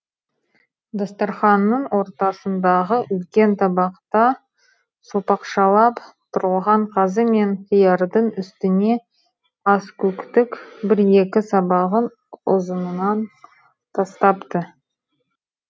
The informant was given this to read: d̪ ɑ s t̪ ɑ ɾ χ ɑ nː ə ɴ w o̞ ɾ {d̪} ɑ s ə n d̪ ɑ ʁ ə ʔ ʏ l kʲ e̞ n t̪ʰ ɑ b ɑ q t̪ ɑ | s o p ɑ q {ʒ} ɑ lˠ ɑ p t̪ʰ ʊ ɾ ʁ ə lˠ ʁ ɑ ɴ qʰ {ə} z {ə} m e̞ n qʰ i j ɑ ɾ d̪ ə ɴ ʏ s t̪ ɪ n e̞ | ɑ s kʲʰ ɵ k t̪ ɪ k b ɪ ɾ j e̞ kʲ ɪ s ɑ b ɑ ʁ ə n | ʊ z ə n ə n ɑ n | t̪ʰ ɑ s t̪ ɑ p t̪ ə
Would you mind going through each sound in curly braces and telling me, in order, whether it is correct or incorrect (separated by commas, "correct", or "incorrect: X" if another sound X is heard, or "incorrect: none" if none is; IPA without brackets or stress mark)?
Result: incorrect: t̪, incorrect: ʃ, incorrect: ɑ, correct